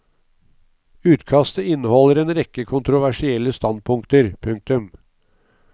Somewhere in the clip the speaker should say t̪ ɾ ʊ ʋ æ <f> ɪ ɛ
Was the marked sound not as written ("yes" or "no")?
yes